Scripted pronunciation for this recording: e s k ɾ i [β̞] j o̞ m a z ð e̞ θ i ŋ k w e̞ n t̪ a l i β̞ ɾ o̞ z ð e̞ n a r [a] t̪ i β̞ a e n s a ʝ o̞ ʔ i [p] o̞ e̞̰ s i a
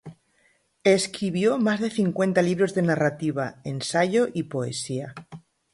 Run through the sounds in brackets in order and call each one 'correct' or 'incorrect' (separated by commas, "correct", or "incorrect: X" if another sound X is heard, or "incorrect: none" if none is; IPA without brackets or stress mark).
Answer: correct, correct, correct